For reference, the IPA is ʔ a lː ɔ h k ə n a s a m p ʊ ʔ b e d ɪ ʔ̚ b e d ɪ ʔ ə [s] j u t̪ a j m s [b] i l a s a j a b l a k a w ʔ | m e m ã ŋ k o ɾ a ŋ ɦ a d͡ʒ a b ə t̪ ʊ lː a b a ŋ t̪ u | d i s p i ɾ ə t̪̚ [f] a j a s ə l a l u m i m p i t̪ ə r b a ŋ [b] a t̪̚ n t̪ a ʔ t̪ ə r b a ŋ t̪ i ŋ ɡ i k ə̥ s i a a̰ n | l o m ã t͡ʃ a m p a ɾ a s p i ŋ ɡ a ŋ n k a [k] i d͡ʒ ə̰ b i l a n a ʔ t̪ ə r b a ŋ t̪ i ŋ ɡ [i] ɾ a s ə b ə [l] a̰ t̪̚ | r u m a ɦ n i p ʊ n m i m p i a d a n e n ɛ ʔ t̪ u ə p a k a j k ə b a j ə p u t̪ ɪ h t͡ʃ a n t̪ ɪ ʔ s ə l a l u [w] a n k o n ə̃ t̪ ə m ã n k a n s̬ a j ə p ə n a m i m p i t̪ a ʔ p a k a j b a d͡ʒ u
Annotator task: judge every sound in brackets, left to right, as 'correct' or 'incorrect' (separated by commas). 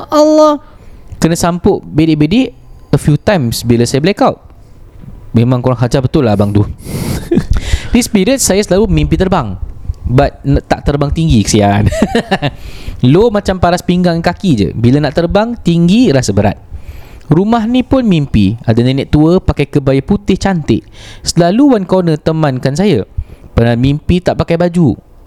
incorrect, correct, incorrect, correct, correct, correct, incorrect, correct